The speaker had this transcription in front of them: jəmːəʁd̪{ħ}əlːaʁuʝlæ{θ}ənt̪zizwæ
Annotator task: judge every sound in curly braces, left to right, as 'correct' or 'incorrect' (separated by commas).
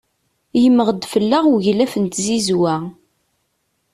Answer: incorrect, incorrect